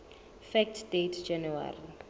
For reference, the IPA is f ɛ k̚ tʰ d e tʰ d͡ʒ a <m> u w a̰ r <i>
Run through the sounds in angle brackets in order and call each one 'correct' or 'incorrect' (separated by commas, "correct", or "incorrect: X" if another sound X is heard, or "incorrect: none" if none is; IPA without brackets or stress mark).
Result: incorrect: n, correct